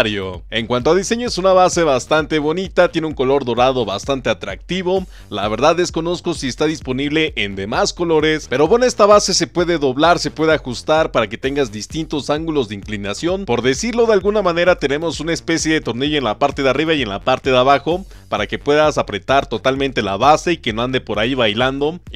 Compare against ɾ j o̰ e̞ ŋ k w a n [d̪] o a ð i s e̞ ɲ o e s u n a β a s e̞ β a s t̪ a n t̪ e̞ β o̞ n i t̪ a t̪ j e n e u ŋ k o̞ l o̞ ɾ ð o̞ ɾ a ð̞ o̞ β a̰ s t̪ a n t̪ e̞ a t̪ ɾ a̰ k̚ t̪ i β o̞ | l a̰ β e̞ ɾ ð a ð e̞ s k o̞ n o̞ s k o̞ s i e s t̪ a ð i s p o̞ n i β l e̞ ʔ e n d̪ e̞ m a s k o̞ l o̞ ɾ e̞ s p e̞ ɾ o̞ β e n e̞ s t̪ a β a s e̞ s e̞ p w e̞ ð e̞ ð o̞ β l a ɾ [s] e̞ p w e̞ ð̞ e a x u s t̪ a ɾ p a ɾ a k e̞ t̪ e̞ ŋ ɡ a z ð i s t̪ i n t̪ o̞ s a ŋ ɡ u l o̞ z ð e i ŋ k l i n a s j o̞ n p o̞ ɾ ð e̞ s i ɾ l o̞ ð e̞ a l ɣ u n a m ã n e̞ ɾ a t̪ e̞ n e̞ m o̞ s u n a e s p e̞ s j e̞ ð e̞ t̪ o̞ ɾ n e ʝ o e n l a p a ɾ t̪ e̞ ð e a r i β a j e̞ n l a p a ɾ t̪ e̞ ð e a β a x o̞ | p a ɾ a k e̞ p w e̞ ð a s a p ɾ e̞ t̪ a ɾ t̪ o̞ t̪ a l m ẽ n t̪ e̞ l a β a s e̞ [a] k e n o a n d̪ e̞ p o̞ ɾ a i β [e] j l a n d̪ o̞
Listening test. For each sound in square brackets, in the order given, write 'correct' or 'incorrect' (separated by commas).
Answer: incorrect, correct, incorrect, incorrect